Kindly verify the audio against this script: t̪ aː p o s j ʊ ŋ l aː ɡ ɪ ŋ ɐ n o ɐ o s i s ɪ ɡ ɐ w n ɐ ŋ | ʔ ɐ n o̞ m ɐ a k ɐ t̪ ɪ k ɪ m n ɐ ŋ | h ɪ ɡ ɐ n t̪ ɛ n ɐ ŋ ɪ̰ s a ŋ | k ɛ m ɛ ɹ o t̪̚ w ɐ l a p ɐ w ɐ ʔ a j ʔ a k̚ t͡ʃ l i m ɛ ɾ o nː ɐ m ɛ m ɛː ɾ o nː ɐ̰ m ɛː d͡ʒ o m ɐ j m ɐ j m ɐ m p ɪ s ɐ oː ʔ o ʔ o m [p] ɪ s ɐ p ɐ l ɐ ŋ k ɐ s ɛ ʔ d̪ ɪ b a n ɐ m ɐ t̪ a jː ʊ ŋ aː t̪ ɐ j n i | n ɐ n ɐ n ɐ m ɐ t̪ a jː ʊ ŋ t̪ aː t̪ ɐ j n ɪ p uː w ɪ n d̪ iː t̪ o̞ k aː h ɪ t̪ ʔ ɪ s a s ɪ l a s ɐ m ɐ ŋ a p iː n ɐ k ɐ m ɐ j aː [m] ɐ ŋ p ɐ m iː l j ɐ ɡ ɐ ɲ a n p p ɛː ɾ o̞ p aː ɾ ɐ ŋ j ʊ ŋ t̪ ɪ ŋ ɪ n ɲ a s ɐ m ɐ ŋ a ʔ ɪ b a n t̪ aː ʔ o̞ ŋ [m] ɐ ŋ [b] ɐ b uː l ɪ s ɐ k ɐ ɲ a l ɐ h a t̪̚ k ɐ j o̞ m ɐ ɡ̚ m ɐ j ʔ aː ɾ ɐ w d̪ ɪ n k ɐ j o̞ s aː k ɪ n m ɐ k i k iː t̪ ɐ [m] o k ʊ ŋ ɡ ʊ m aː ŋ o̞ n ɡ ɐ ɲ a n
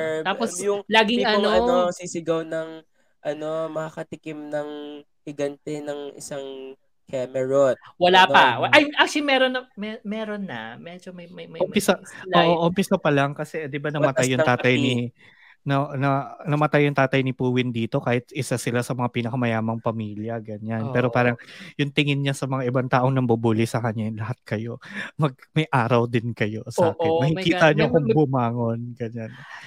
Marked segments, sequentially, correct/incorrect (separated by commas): correct, correct, incorrect, correct, incorrect